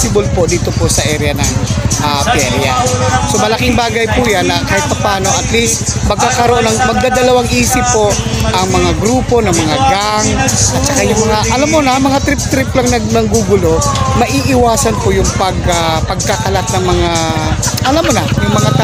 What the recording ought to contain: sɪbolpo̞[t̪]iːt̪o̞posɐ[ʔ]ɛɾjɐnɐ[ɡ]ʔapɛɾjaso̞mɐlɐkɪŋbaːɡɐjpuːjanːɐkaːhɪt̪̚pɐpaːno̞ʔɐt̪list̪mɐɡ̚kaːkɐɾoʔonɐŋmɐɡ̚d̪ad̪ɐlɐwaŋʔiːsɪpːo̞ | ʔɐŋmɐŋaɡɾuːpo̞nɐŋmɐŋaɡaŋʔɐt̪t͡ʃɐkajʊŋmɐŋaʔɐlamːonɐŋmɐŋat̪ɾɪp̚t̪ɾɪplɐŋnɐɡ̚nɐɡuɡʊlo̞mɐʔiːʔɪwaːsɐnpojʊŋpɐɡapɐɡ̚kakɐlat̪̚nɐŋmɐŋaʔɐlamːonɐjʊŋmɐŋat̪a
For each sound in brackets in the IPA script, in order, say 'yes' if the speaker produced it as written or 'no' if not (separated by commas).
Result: no, yes, no